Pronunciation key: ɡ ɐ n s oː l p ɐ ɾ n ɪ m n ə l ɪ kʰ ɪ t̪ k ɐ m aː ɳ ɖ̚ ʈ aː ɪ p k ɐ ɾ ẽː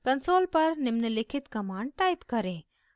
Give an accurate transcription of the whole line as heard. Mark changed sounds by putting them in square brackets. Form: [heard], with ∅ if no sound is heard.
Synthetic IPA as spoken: [k] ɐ n s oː l p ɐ ɾ n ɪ m n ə l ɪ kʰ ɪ t̪ k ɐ m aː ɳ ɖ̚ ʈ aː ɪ p k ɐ ɾ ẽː